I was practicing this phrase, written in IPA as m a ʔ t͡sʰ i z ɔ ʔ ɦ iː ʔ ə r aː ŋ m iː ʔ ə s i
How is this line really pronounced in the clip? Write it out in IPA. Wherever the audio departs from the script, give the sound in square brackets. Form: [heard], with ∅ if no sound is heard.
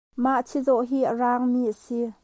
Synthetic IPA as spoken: m a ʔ t͡sʰ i z ɔ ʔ ɦ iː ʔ ə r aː ŋ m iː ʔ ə s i